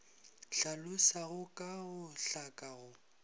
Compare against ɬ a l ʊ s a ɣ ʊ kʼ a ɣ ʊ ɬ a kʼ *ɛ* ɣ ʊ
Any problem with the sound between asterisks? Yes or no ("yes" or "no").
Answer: yes